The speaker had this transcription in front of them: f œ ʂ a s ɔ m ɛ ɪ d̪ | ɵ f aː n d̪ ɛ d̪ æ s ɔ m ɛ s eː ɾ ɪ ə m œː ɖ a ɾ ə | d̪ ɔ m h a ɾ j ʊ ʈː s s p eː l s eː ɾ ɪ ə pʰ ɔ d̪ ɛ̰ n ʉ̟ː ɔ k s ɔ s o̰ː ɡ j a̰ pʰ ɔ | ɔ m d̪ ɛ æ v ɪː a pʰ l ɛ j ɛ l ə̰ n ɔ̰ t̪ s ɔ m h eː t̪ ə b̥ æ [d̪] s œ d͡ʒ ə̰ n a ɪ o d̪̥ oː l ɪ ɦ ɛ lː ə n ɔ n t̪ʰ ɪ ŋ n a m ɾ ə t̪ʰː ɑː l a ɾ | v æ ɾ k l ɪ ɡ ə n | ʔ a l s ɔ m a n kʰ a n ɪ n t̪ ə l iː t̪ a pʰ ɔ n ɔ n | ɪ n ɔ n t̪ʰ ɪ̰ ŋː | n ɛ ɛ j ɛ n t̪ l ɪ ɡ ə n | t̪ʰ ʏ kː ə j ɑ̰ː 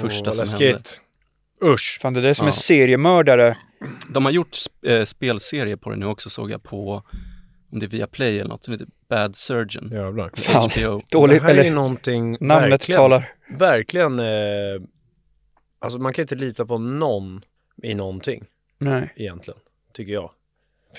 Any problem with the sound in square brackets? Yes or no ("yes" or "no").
no